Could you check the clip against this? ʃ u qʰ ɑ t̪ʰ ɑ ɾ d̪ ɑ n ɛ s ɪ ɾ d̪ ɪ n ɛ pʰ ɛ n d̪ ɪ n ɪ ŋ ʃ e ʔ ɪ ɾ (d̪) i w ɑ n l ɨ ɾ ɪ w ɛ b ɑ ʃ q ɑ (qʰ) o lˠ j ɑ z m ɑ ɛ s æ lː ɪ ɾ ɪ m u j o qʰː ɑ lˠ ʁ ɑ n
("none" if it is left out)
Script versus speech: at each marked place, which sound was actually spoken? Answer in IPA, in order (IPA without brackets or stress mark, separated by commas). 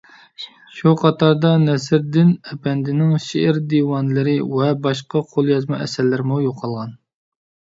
d̪, qʰ